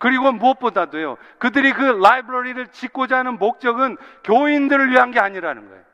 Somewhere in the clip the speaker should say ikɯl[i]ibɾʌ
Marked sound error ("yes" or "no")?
yes